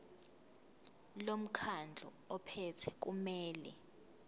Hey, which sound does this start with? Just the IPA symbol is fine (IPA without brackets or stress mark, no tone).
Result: l